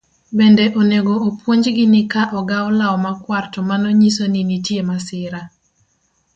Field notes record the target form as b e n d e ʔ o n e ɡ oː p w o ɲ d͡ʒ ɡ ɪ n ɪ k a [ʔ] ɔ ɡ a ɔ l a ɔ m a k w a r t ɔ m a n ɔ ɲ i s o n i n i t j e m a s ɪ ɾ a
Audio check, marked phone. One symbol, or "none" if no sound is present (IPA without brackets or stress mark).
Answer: ʔ